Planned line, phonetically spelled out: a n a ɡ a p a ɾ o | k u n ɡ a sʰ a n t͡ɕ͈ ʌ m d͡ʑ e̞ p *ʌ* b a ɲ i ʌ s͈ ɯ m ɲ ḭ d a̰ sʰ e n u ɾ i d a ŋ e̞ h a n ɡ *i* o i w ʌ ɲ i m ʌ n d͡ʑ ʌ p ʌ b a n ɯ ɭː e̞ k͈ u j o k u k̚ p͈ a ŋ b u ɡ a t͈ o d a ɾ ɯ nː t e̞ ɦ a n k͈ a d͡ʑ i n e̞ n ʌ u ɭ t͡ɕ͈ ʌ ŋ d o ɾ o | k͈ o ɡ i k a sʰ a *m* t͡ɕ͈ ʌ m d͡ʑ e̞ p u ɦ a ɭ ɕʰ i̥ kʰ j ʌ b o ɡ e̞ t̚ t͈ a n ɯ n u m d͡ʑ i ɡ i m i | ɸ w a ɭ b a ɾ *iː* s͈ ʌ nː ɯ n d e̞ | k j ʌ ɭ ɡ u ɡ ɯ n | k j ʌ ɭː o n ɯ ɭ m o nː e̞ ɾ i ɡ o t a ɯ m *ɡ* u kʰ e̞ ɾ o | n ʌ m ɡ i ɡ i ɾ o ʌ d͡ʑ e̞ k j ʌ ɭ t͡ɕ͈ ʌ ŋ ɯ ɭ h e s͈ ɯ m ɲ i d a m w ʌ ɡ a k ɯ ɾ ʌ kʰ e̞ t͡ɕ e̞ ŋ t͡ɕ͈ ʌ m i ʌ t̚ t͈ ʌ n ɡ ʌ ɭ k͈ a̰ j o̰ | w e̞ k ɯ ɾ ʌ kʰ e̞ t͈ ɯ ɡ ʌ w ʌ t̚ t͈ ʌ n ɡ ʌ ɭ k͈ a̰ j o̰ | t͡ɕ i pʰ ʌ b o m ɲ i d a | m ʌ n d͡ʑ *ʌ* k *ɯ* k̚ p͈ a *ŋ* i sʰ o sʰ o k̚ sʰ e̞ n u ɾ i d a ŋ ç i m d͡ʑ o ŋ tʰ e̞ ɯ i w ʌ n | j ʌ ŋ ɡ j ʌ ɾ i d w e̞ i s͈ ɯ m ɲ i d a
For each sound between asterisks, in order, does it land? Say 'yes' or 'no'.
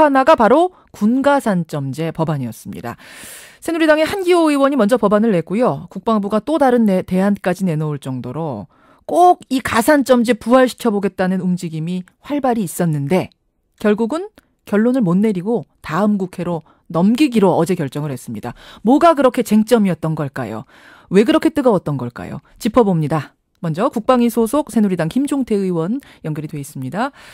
yes, yes, no, yes, yes, yes, no, yes

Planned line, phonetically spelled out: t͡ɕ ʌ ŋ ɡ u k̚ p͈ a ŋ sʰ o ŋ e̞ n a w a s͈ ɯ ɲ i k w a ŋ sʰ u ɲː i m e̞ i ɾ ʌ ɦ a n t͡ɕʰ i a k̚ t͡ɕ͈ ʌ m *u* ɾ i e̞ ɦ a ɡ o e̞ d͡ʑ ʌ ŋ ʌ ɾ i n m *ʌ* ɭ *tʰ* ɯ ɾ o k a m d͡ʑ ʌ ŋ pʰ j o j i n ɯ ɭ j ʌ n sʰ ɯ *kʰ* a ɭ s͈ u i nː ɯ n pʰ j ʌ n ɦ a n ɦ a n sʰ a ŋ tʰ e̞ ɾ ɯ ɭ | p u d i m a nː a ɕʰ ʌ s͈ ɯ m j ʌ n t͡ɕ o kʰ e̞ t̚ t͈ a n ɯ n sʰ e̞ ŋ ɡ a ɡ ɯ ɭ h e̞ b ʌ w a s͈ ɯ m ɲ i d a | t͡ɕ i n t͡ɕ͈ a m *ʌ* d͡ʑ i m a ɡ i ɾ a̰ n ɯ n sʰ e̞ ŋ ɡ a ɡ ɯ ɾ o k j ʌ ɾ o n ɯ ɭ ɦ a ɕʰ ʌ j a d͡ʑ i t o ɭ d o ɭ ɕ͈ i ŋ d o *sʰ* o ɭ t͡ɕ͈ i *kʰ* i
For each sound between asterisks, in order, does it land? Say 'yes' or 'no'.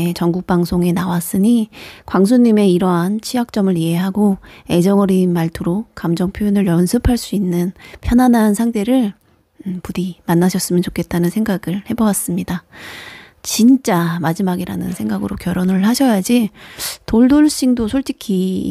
no, no, yes, no, no, yes, yes

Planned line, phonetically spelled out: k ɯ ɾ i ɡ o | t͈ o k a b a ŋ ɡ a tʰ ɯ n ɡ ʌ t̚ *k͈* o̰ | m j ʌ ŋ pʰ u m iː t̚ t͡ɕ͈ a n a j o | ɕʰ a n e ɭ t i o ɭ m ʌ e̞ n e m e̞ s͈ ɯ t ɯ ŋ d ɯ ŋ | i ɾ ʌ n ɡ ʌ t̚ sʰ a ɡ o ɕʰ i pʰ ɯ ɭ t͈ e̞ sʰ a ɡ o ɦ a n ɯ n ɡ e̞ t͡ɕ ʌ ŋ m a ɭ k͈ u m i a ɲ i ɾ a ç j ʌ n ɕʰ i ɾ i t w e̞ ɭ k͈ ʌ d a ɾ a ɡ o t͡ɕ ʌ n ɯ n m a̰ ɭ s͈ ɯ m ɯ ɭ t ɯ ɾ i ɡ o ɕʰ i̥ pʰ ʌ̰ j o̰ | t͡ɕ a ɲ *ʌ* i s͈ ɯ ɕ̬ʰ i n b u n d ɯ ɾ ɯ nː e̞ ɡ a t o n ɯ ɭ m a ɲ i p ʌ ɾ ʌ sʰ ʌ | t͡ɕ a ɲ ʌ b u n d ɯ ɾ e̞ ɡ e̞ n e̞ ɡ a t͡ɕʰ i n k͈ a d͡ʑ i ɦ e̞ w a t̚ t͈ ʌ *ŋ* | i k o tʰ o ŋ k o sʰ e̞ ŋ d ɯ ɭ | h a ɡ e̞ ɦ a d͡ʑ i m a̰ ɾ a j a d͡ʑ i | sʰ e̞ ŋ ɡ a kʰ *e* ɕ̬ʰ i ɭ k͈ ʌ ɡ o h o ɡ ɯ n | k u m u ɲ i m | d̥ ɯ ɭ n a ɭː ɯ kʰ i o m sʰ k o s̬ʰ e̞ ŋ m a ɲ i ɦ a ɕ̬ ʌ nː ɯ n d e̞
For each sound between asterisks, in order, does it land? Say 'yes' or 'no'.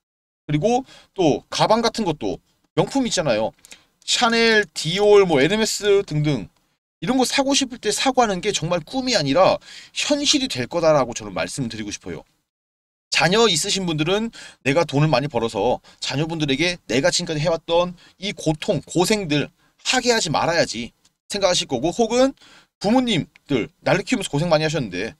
no, yes, no, no

